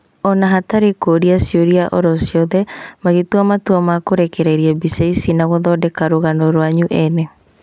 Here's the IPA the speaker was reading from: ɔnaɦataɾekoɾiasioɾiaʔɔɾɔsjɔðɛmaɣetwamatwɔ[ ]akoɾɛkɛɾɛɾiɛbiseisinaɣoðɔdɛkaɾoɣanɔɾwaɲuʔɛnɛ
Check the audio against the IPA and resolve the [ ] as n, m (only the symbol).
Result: m